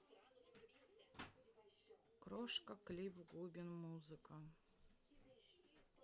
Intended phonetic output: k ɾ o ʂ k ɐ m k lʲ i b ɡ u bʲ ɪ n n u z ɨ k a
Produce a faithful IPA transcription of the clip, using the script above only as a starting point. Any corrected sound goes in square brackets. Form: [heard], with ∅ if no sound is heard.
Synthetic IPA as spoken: k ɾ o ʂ k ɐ [∅] k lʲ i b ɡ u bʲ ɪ n [m] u z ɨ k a